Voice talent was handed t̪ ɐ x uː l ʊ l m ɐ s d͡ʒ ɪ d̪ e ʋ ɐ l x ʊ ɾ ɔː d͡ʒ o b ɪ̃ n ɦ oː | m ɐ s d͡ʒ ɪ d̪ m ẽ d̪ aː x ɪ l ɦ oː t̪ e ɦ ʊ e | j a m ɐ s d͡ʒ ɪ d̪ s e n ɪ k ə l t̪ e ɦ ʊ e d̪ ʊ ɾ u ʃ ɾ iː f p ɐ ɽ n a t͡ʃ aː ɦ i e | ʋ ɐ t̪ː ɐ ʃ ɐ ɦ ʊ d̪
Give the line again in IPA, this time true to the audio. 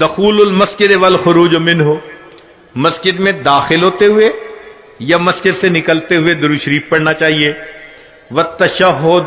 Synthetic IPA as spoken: d̪ ɐ x uː l ʊ l m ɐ s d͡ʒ ɪ d̪ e ʋ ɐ l x ʊ ɾ uː d͡ʒ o m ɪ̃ n ɦ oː | m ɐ s d͡ʒ ɪ d̪ m ẽ d̪ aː x ɪ l ɦ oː t̪ e ɦ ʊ e | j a m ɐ s d͡ʒ ɪ d̪ s e n ɪ k ə l t̪ e ɦ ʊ e d̪ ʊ ɾ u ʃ ɾ iː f p ɐ ɽ n a t͡ʃ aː ɦ i e | ʋ ɐ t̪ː ɐ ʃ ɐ ɦ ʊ d̪